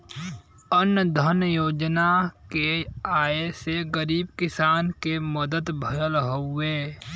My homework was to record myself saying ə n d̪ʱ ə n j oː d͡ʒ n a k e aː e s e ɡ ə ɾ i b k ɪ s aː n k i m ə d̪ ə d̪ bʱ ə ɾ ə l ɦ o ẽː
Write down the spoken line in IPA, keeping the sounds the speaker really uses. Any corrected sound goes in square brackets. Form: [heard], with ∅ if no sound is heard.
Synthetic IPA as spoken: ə n d̪ʱ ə n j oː d͡ʒ n a k e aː e s e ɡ ə ɾ [iː] b k ɪ s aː n k [e] m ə d̪ ə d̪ bʱ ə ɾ ə l ɦ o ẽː